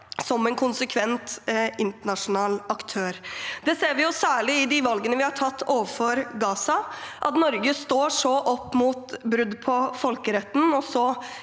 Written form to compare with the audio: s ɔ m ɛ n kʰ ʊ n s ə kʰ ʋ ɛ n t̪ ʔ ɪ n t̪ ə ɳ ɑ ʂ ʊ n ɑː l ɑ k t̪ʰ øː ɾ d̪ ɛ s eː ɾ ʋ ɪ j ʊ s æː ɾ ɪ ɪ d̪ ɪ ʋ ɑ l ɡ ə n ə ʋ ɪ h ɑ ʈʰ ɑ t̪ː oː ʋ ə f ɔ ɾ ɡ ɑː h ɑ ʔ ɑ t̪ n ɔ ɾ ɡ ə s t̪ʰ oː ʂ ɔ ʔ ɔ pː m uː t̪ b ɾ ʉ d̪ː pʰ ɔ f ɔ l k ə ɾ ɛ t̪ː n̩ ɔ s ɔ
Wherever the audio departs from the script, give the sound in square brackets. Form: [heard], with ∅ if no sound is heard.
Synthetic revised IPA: s ɔ m ɛ n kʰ ʊ n s ə kʰ ʋ ɛ n t̪ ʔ ɪ n t̪ ə ɳ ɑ ʂ ʊ n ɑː l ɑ k t̪ʰ øː ɾ d̪ ɛ s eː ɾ ʋ ɪ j ʊ s æː [ɭ] ɪ ɪ d̪ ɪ ʋ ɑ l ɡ ə n ə ʋ ɪ h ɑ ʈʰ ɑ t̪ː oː ʋ ə f ɔ ɾ ɡ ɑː [s] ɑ ʔ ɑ t̪ n ɔ ɾ ɡ ə s [t̪] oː ʂ ɔ ʔ ɔ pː m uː t̪ b ɾ ʉ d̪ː pʰ ɔ f ɔ l k ə ɾ ɛ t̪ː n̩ ɔ s ɔ

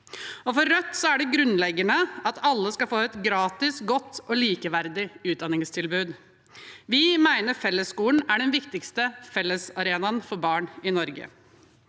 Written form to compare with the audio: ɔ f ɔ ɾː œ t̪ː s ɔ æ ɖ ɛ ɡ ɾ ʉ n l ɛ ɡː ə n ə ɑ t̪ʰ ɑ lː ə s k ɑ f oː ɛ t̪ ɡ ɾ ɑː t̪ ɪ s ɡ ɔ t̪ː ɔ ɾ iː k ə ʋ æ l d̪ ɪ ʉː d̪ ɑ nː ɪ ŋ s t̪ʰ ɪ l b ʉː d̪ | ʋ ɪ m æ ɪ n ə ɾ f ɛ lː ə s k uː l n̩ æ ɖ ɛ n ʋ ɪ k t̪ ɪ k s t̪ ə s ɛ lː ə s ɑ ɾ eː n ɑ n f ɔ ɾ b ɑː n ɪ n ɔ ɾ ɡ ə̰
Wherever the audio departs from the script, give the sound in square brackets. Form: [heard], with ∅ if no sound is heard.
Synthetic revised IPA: ɔ f ɔ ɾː œ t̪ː s ɔ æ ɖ ɛ ɡ ɾ ʉ n l ɛ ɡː ə n ə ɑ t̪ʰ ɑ lː ə s k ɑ f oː ɛ t̪ ɡ ɾ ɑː t̪ ɪ s ɡ ɔ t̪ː ɔ [l] iː k ə ʋ æ [ɾ] d̪ ɪ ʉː d̪ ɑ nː ɪ ŋ s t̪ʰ ɪ l b ʉː d̪ | ʋ ɪ m æ ɪ n ə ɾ f ɛ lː ə s k uː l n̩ æ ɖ ɛ n ʋ ɪ k t̪ ɪ k s t̪ ə [f] ɛ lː ə s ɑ ɾ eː n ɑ n f ɔ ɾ b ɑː [ɳ] ɪ n ɔ ɾ ɡ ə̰

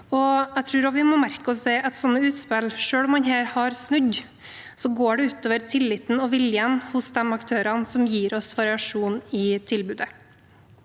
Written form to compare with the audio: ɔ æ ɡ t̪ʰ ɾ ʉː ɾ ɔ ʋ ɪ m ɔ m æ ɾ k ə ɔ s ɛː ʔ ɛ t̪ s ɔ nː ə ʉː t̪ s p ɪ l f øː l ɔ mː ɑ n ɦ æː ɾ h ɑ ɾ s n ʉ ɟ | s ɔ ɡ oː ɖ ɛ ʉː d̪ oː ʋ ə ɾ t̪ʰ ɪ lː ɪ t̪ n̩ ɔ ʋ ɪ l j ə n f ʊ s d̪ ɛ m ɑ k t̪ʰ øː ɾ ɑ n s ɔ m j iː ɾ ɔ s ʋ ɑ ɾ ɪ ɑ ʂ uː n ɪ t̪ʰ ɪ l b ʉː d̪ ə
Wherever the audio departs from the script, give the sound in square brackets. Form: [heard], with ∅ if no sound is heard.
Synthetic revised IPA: ɔ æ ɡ t̪ʰ ɾ ʉː ɾ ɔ ʋ ɪ m ɔ m æ ɾ k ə ɔ s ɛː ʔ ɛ t̪ s ɔ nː ə ʉː t̪ s p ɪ l [ʂ] øː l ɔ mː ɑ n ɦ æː ɾ h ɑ ɾ s n ʉ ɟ | s ɔ ɡ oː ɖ ɛ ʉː [t̪] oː ʋ ə ɾ t̪ʰ ɪ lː ɪ t̪ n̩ ɔ ʋ ɪ l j ə n [h] ʊ s d̪ ɛ m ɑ k t̪ʰ øː ɾ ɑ n s ɔ m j iː ɾ ɔ s ʋ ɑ ɾ ɪ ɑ ʂ uː n ɪ t̪ʰ ɪ l b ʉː d̪ ə

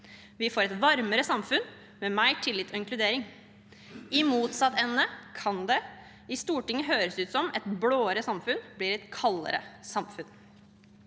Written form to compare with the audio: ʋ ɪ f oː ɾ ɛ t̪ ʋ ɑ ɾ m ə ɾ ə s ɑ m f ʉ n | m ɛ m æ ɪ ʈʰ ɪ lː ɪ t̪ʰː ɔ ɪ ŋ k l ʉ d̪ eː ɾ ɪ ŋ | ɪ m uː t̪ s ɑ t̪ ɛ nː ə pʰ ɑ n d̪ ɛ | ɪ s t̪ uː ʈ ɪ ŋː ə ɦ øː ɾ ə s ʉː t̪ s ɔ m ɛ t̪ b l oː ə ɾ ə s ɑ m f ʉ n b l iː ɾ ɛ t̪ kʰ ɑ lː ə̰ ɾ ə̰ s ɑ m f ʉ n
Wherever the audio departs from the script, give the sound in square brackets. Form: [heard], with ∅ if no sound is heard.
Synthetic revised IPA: ʋ ɪ f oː ɾ ɛ t̪ ʋ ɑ ɾ m ə ɾ ə s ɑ m f ʉ n | m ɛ m æ ɪ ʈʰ ɪ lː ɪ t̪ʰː ɔ ɪ ŋ k l ʉ d̪ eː ɾ ɪ ŋ | ɪ m uː t̪ s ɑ t̪ ɛ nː ə [kʰ] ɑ n d̪ ɛ | ɪ s t̪ uː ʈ ɪ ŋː ə ɦ øː ɾ ə s ʉː t̪ s ɔ m ɛ t̪ b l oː ə ɾ ə s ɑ m f ʉ n b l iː ɾ ɛ t̪ kʰ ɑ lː ə̰ ɾ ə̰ s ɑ m f ʉ n

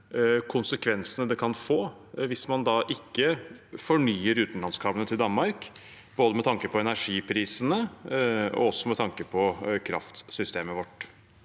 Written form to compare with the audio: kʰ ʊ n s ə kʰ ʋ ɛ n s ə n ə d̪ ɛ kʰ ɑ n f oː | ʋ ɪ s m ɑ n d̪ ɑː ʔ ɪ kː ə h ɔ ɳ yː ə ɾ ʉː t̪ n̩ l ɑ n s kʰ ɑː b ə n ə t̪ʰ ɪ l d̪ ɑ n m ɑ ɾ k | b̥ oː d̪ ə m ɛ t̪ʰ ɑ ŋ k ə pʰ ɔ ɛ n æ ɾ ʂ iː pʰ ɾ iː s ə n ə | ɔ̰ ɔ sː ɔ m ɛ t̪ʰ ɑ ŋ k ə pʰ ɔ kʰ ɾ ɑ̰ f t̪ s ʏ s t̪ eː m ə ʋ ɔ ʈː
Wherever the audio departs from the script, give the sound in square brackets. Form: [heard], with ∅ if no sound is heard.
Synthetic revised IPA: kʰ ʊ n s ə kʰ ʋ ɛ n s ə n ə d̪ ɛ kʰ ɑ n f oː | ʋ ɪ s m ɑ n d̪ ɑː ʔ ɪ kː ə [f] ɔ ɳ yː ə ɾ ʉː t̪ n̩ l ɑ n s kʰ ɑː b ə n ə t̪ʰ ɪ l d̪ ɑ n m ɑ ɾ k | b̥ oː d̪ ə m ɛ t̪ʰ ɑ ŋ k ə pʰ ɔ ɛ n æ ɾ ʂ iː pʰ ɾ iː s ə n ə | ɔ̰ ɔ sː ɔ m ɛ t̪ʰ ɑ ŋ k ə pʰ ɔ kʰ ɾ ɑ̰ f t̪ s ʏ s t̪ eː m ə ʋ ɔ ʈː

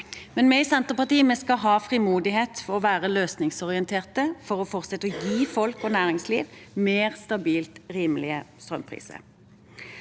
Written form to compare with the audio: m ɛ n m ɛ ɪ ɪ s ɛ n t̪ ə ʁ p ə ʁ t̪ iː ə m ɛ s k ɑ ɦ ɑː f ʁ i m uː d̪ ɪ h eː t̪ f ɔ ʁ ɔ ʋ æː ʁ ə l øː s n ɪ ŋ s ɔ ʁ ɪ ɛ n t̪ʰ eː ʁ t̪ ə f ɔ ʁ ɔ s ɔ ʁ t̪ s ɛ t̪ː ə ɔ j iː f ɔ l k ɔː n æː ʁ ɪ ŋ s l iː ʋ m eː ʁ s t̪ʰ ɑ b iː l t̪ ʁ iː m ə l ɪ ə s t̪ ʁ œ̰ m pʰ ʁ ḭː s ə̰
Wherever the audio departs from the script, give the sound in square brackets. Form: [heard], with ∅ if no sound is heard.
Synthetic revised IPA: m ɛ n m ɛ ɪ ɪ s ɛ n t̪ ə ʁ p [ɑ] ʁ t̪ iː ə m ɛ s k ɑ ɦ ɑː f ʁ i m uː d̪ ɪ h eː t̪ f ɔ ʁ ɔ ʋ æː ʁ ə l øː s n ɪ ŋ s ɔ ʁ ɪ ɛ n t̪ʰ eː ʁ t̪ ə f ɔ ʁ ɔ [f] ɔ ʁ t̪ s ɛ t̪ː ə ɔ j iː f ɔ l k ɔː n æː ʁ ɪ ŋ s l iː ʋ m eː ʁ s [t̪] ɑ b iː l t̪ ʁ iː m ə l ɪ ə s t̪ ʁ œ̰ m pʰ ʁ ḭː s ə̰

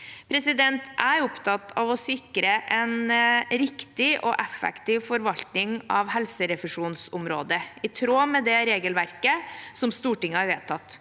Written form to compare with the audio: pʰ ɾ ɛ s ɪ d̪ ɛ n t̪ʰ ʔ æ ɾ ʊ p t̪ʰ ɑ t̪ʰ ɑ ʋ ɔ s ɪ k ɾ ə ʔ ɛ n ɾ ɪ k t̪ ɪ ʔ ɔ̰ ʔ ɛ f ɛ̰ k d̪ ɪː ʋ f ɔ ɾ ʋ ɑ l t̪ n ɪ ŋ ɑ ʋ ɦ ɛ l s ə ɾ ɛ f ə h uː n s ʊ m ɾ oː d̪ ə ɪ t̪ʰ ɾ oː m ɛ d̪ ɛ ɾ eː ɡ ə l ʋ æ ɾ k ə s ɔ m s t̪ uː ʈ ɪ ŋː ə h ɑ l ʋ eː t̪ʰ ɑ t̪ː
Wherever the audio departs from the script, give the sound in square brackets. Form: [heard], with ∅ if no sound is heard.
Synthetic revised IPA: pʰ ɾ ɛ s ɪ d̪ ɛ n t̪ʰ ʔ æ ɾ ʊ p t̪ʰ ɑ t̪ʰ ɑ ʋ ɔ s ɪ k ɾ ə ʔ ɛ n ɾ ɪ k t̪ ɪ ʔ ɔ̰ ʔ ɛ f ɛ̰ k [t̪] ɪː ʋ f ɔ ɾ ʋ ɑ l t̪ n ɪ ŋ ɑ ʋ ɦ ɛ l s ə ɾ ɛ f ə [ʂ] uː n s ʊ m ɾ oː d̪ ə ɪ t̪ʰ ɾ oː m ɛ d̪ ɛ ɾ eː ɡ ə l ʋ æ ɾ k ə s ɔ m s t̪ uː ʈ ɪ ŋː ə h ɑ [ɾ] ʋ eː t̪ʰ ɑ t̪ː

